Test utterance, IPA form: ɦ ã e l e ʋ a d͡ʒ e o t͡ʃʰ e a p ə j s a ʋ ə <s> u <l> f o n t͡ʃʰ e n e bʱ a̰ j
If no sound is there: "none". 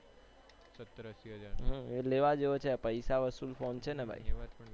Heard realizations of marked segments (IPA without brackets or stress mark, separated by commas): s, l